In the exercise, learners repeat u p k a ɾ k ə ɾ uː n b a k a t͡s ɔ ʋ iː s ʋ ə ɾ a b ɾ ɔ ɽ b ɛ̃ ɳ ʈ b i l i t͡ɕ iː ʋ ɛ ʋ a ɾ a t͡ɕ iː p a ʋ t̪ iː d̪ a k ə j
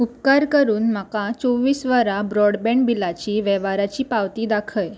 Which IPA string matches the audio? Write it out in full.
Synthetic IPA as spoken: u p k a ɾ k ə ɾ uː n m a k a t͡s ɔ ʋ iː s ʋ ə ɾ a b ɾ ɔ ɽ b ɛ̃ ɳ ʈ b i l a t͡ɕ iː ʋ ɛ ʋ a ɾ a t͡ɕ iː p a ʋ t̪ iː d̪ a kʰ ə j